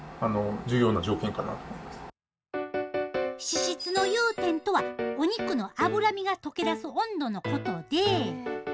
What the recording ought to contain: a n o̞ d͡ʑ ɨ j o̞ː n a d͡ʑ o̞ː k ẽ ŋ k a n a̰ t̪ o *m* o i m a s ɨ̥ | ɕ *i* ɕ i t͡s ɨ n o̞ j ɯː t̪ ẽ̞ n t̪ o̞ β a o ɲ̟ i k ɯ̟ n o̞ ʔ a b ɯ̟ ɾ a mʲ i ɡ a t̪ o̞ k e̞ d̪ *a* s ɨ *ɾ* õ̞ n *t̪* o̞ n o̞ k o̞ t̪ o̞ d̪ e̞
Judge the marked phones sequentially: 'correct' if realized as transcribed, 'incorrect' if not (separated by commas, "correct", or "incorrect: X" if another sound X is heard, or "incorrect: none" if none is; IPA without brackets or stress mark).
correct, correct, correct, incorrect: none, incorrect: d̪